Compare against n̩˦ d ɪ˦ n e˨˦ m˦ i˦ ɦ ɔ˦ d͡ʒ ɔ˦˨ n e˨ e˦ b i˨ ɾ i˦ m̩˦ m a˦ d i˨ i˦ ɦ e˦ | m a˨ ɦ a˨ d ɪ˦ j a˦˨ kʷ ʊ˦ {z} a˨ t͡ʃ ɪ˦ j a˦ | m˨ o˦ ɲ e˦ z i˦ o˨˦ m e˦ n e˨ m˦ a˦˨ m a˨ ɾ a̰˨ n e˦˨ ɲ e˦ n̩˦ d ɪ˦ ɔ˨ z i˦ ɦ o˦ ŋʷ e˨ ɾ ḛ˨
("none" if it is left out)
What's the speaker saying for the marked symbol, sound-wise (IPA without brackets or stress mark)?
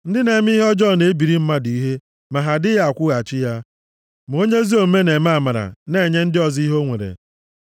ɣ